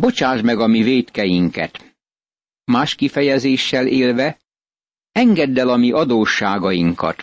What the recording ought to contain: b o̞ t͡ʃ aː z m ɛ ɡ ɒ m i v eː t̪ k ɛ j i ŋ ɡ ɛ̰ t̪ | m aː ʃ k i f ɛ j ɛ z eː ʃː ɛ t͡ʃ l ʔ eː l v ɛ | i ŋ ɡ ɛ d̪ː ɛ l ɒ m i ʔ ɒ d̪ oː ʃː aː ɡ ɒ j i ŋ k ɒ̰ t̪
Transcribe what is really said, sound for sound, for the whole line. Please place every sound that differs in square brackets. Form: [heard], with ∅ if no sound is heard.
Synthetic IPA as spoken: b o̞ t͡ʃ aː [ʒ] m ɛ ɡ ɒ m i v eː t̪ k ɛ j i ŋ [k] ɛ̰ t̪ | m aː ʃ k i f ɛ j ɛ z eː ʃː ɛ [∅] l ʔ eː l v ɛ | [ɛ] ŋ ɡ ɛ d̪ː ɛ l ɒ m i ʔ ɒ d̪ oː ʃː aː ɡ ɒ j i ŋ k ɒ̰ t̪